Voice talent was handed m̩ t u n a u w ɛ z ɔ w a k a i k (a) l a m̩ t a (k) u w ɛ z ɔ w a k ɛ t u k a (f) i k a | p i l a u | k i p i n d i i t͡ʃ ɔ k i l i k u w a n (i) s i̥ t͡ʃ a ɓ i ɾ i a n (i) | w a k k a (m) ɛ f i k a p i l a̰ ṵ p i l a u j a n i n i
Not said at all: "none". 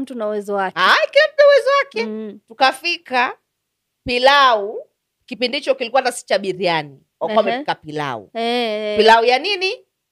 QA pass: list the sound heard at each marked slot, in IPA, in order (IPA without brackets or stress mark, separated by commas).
i, none, f, a, i, m